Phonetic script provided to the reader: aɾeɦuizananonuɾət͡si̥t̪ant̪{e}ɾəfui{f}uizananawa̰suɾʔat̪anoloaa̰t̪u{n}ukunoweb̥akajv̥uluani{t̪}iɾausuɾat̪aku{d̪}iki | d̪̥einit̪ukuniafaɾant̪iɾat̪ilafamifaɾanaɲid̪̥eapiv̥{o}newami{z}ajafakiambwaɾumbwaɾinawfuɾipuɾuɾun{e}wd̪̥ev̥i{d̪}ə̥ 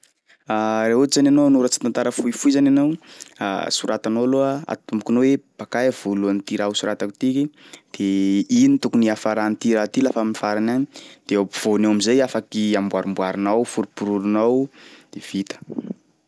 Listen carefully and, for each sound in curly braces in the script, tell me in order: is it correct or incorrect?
incorrect: a, correct, incorrect: m, correct, incorrect: t̪, correct, correct, incorrect: a, incorrect: t̪

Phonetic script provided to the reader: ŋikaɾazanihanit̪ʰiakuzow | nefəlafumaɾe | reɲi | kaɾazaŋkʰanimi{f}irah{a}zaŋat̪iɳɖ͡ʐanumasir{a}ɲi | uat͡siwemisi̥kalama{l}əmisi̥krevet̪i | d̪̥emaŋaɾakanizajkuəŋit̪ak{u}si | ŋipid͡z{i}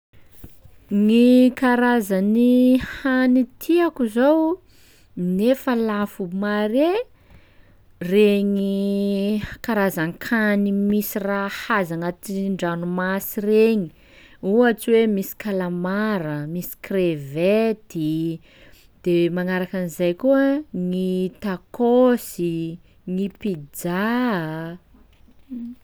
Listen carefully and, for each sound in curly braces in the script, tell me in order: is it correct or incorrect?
incorrect: s, correct, incorrect: e, incorrect: ɾ, incorrect: o, incorrect: a

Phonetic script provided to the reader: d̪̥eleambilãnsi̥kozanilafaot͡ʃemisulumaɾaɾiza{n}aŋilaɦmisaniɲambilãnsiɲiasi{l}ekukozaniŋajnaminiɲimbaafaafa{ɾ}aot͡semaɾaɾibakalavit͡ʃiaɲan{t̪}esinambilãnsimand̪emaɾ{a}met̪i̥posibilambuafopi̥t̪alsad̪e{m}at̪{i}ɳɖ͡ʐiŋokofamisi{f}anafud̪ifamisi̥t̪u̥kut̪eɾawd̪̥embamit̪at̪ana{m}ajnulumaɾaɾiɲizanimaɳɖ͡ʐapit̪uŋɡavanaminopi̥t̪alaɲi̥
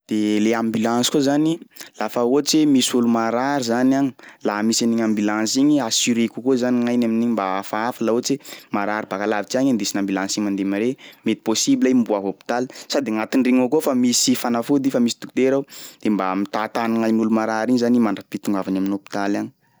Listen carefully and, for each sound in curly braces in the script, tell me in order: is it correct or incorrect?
correct, incorrect: ɾ, incorrect: l, incorrect: d̪, incorrect: e, incorrect: ŋ, correct, correct, incorrect: ŋ

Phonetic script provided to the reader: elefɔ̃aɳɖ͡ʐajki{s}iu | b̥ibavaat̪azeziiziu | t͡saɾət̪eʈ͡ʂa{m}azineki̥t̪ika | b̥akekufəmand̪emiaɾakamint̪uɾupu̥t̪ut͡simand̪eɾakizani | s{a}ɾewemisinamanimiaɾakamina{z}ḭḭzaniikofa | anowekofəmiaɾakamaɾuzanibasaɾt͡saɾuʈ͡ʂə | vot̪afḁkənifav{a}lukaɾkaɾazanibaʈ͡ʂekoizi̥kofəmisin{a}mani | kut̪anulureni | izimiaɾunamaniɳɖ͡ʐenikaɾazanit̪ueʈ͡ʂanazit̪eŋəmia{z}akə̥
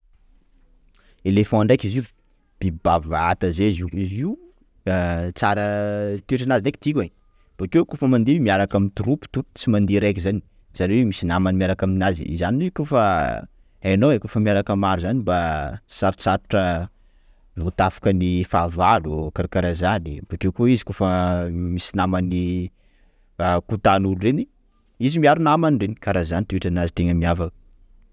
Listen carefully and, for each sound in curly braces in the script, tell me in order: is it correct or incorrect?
incorrect: z, incorrect: n, correct, correct, correct, correct, incorrect: v

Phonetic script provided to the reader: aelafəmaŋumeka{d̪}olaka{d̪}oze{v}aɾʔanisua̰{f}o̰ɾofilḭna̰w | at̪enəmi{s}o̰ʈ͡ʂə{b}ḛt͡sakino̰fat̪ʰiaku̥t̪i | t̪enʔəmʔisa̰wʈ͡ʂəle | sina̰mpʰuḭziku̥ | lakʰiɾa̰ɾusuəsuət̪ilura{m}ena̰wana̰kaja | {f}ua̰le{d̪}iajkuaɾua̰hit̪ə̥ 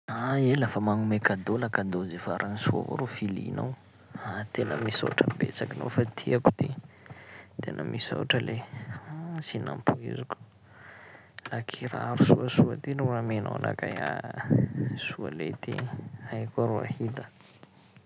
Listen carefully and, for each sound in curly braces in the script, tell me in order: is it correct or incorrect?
correct, correct, incorrect: f, incorrect: v, correct, correct, correct, incorrect: s, incorrect: t̪

